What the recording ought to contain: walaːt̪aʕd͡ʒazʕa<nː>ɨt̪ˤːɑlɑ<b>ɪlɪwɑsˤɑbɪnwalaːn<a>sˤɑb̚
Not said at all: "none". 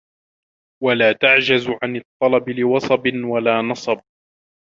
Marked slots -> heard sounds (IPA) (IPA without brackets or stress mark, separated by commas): n, b, ɑ